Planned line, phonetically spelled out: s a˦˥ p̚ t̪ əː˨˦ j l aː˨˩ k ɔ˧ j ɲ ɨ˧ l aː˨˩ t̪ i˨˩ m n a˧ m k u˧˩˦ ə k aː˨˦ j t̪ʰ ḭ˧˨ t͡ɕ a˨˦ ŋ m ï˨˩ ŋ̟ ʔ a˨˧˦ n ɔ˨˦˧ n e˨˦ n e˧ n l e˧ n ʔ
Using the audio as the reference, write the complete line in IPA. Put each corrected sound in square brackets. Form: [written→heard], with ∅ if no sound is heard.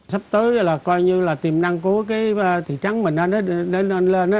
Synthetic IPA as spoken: s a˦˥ p̚ t̪ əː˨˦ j l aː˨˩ k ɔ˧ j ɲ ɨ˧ l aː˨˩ t̪ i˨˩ m n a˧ [m→ŋ] k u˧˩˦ ə k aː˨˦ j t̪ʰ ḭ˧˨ t͡ɕ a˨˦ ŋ m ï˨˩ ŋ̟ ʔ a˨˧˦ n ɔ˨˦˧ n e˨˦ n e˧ n l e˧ n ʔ